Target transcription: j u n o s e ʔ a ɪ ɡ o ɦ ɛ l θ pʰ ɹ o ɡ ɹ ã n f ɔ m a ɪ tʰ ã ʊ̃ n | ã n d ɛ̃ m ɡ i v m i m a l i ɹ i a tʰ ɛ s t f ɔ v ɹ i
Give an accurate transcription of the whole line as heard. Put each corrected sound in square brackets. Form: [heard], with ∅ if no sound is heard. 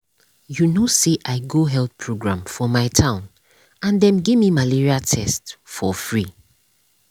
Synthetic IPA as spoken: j u n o s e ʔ a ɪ ɡ o ɦ ɛ l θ pʰ ɹ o ɡ ɹ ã [m] f ɔ m a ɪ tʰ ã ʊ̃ n | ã n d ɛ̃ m ɡ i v m i m a l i ɹ i a tʰ ɛ s t f ɔ [f] ɹ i